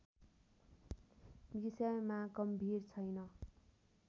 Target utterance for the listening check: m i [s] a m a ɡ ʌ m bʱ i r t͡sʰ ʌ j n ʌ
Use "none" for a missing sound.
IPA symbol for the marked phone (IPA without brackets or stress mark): s